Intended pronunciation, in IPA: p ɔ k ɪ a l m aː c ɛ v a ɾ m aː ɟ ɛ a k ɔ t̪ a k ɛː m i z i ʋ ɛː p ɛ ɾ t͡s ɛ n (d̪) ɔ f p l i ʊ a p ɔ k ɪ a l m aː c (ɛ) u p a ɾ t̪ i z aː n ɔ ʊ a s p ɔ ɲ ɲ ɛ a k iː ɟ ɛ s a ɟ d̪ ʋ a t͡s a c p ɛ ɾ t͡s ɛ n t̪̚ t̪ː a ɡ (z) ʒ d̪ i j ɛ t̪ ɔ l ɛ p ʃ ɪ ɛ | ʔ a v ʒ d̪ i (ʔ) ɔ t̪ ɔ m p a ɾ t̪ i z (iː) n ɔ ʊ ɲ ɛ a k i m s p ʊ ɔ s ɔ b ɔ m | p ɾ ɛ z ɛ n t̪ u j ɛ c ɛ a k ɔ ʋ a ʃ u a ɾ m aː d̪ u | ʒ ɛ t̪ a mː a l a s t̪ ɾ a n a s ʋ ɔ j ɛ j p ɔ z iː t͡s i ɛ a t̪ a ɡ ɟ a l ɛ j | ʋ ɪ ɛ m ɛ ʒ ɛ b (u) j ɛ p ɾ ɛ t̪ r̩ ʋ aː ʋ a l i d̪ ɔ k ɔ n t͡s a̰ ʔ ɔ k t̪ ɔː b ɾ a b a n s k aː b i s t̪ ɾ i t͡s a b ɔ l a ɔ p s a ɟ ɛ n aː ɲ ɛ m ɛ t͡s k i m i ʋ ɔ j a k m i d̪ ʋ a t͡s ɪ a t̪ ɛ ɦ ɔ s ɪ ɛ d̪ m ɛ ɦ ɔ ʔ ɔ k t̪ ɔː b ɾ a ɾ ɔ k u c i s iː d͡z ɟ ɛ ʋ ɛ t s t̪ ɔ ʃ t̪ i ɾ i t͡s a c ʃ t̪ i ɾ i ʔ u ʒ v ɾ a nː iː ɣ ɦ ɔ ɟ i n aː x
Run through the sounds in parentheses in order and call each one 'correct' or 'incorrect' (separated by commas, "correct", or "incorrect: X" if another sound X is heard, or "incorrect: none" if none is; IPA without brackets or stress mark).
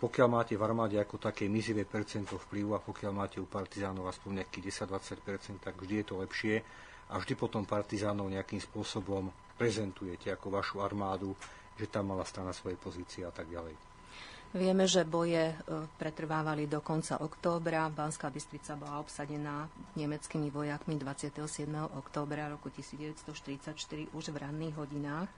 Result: incorrect: t̪, correct, incorrect: v, incorrect: p, incorrect: aː, incorrect: ɔ